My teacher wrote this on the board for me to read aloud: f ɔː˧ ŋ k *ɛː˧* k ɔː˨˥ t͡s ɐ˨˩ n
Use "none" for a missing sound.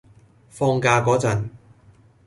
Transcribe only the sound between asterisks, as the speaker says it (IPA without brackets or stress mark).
aː˧